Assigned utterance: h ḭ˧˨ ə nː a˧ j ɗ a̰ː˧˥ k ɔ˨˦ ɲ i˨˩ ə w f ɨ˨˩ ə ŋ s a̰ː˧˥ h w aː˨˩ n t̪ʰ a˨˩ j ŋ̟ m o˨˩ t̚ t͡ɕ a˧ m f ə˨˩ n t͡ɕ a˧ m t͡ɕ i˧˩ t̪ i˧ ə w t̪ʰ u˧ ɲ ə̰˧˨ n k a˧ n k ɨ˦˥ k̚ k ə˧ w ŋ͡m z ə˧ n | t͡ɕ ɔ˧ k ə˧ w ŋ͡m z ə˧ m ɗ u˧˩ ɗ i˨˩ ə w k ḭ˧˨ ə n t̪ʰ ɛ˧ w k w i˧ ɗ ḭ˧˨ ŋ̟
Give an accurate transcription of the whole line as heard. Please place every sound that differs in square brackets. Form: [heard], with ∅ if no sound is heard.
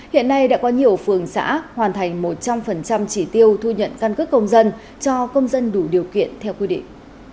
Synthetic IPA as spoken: h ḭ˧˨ ə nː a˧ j ɗ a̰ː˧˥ k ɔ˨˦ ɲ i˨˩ ə w f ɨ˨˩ ə ŋ s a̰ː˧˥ h w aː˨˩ n t̪ʰ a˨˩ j ŋ̟ m o˨˩ t̚ t͡ɕ a˧ m f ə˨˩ n t͡ɕ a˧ m t͡ɕ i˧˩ t̪ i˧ ə w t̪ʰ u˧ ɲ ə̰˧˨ n k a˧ n k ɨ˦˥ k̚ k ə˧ w ŋ͡m z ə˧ n | t͡ɕ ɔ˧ k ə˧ w ŋ͡m z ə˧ [n] ɗ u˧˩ ɗ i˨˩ ə w k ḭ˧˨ ə n t̪ʰ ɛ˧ w k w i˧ ɗ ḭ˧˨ ŋ̟